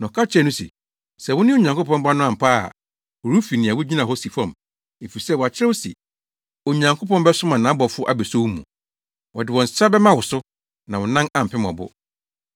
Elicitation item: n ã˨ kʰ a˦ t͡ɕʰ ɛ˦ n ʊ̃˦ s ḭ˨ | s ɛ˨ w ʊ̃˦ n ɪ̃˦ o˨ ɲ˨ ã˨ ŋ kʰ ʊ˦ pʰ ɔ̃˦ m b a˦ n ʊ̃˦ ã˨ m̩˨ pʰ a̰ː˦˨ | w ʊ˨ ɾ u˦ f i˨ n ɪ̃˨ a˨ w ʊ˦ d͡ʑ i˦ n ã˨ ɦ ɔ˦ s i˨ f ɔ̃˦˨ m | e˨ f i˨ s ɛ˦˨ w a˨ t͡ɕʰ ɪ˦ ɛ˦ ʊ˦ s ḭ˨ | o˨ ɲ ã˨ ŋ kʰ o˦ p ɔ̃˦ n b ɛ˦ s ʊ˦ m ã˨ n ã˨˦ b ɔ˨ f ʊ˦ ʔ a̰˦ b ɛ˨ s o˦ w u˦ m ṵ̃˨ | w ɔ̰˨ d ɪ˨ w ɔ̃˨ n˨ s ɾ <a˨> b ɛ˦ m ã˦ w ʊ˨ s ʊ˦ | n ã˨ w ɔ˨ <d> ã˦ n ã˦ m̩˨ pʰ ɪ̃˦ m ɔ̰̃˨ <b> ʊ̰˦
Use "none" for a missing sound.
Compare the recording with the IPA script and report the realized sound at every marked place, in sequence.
a˦, n, b

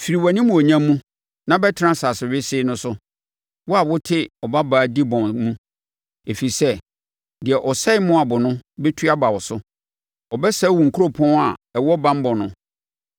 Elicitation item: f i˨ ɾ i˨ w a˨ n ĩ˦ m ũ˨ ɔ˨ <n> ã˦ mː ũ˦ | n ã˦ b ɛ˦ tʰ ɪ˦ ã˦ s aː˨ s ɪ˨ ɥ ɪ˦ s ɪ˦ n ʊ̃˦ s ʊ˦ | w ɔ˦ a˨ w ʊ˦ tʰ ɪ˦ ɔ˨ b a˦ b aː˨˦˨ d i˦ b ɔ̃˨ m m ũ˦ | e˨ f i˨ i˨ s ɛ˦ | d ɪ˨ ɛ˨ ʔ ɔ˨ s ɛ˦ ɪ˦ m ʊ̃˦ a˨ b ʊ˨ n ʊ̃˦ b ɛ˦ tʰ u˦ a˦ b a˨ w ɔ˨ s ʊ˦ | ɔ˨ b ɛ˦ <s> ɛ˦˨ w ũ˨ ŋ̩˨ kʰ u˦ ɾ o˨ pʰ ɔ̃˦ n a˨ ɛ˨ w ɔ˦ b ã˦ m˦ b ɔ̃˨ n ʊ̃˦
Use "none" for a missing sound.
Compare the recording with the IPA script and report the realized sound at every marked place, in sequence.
ɲ, s

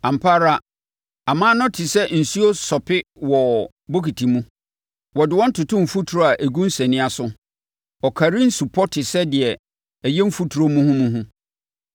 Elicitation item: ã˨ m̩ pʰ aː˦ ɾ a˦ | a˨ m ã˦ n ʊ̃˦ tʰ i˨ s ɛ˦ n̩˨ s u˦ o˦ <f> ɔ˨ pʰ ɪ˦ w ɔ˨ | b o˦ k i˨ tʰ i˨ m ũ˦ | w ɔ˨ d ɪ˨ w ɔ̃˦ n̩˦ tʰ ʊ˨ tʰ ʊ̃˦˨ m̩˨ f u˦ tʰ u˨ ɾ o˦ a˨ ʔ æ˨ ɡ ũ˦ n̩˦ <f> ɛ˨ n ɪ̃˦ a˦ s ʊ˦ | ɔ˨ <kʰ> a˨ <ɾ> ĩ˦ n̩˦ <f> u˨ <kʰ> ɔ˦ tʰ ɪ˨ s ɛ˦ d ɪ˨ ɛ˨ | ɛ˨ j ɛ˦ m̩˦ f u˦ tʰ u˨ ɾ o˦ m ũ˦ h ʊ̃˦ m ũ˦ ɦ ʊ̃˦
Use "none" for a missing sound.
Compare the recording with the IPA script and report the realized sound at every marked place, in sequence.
s, s, kʰ, ɾ, s, pʰ

